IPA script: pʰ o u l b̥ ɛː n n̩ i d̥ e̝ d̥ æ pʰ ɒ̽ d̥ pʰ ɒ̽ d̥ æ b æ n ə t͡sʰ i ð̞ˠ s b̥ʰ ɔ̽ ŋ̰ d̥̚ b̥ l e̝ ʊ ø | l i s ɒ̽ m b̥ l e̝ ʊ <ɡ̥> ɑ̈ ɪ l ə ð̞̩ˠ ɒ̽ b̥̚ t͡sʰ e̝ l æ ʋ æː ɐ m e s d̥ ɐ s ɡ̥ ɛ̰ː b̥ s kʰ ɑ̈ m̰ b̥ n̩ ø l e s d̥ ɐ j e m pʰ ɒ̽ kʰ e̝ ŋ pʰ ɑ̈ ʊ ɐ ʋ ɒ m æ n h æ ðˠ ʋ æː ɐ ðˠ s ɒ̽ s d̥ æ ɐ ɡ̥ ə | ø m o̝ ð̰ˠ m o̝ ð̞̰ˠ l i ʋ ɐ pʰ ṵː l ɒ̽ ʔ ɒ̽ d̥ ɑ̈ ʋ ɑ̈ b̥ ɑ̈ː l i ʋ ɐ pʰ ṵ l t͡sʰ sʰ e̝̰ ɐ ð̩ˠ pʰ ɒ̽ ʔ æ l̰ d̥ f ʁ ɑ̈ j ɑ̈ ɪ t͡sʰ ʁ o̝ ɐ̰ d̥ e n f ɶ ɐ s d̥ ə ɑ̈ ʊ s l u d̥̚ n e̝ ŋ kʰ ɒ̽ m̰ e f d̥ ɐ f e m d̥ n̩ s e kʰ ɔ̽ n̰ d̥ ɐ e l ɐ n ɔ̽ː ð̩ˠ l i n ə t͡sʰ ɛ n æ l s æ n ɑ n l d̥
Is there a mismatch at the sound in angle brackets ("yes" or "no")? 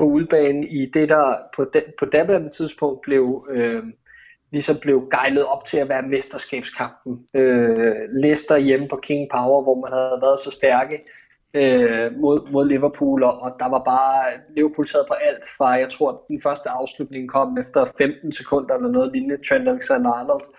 no